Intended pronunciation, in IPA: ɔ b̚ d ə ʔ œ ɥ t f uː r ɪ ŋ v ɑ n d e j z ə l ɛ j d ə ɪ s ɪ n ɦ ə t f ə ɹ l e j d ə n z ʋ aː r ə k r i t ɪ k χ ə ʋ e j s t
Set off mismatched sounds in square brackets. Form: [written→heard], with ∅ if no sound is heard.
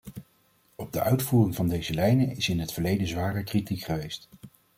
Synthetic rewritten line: ɔ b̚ d ə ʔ œ ɥ t f uː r ɪ ŋ v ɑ n d e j z ə l ɛ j [d→n] ə ɪ s ɪ n ɦ ə t f ə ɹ l e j d ə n z ʋ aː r ə k r i t [ɪ→i] k χ ə ʋ e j s t